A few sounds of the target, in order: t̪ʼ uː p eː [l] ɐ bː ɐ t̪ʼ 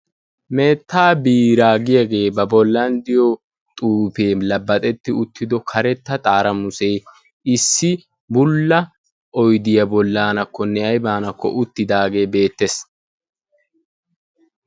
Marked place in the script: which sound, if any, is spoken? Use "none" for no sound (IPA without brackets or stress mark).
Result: l